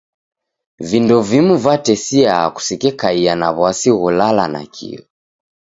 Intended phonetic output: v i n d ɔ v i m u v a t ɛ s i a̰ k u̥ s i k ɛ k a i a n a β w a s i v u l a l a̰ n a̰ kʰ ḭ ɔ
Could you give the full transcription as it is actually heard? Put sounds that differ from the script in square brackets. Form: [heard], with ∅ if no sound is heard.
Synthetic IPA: v i n d ɔ v i m u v a t ɛ s i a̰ k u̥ s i k ɛ k a i a n a β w a s i [ɣ] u l a l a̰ n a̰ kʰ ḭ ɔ